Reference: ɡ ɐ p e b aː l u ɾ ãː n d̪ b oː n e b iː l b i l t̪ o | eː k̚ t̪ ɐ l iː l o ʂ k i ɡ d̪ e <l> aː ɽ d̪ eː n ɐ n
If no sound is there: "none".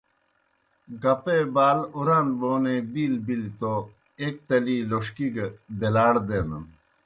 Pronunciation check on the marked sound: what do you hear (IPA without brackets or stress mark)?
l